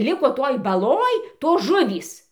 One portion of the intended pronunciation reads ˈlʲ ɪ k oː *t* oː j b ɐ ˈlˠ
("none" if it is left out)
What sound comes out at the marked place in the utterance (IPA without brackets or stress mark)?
t